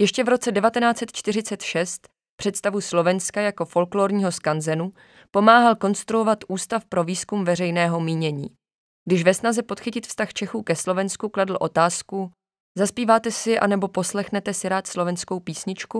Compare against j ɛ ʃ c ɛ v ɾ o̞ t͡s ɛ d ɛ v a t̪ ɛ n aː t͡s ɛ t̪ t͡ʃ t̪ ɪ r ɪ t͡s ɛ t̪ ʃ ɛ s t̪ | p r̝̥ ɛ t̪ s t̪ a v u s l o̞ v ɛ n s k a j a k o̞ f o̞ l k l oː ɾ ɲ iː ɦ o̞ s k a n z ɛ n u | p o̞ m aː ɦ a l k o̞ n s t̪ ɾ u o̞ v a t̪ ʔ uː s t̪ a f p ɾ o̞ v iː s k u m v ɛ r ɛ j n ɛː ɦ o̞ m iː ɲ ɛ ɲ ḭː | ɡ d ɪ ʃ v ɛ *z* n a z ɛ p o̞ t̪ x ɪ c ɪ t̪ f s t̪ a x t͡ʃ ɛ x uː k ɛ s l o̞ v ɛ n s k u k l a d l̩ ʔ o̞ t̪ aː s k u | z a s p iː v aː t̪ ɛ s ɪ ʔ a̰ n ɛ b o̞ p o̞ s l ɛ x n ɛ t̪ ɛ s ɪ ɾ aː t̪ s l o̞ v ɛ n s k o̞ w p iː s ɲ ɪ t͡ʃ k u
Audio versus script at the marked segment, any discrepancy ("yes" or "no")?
yes